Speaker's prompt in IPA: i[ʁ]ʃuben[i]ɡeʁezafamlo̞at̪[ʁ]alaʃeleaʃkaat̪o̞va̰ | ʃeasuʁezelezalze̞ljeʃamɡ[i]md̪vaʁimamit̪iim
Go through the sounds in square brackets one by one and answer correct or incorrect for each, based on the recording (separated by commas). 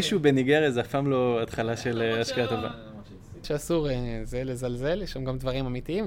incorrect, correct, incorrect, incorrect